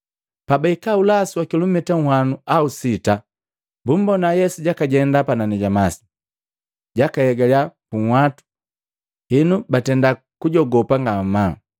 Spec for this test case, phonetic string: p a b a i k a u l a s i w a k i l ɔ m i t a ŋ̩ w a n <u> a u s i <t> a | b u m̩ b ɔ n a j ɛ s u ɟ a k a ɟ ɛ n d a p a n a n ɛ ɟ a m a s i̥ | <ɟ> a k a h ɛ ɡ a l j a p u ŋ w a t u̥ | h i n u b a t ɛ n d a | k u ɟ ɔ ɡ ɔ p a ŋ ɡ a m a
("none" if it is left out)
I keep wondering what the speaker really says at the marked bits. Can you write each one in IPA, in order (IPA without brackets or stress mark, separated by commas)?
u, t, ɟ